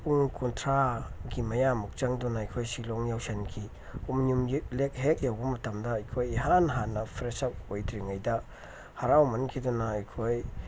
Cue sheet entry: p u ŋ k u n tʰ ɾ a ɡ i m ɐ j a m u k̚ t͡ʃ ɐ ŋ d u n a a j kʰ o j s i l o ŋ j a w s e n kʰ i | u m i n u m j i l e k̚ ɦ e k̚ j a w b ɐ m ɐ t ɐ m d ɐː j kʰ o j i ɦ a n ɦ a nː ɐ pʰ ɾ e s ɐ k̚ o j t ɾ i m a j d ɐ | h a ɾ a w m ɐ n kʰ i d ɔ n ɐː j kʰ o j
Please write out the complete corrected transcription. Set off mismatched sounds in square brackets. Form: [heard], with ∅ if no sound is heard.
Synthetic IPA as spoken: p u ŋ k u n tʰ ɾ a ɡ i m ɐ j a m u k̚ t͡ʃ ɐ ŋ d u n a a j kʰ o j s i l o ŋ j a w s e n kʰ i | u m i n u m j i l e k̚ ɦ e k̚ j a w b ɐ m ɐ t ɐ m d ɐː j kʰ o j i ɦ a n ɦ a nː ɐ pʰ ɾ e s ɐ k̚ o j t ɾ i [ŋ] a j d ɐ | h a ɾ a w m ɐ n kʰ i d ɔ n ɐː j kʰ o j